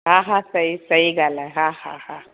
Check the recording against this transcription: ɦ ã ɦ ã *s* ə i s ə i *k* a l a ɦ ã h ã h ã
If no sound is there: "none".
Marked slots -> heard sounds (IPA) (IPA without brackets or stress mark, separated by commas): s, ɡ